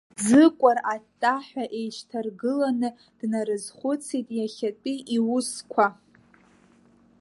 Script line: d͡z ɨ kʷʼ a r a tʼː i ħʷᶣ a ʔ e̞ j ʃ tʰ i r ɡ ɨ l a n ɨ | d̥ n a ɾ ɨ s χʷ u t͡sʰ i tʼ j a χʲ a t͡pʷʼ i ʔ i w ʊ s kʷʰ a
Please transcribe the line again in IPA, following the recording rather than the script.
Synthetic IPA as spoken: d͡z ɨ kʷʼ a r a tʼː a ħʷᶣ a ʔ e̞ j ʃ tʰ a r ɡ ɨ l a n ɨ | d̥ n a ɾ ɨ z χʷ ʊ t͡sʰ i tʼ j a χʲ a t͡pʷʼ i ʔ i w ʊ s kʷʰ a